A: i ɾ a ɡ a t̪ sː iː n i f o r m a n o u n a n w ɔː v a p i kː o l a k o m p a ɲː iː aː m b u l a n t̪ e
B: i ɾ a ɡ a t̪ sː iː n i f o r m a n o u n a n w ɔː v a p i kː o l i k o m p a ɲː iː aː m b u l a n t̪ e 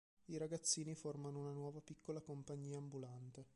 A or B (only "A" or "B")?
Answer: A